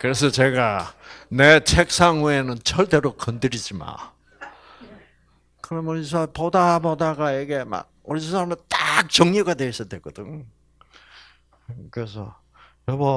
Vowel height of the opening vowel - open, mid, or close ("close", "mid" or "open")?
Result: close